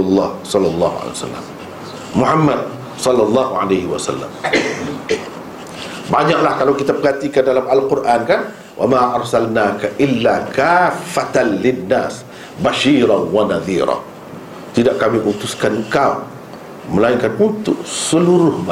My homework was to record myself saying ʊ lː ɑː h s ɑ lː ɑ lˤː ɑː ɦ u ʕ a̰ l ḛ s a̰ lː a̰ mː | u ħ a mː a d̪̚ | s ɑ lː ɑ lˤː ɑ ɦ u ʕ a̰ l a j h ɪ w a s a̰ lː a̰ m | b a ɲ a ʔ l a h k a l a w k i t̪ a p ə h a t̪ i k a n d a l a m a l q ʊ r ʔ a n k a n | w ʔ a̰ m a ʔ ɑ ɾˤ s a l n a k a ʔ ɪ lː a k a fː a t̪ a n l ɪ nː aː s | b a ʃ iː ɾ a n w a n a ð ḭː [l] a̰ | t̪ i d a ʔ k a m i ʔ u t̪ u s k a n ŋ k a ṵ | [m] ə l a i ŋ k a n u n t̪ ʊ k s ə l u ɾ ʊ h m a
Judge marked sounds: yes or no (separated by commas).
no, yes